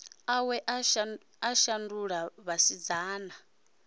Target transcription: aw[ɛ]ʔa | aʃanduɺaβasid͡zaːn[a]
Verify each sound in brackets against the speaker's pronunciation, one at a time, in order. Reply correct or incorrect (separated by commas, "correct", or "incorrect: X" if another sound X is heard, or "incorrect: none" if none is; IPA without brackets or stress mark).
correct, correct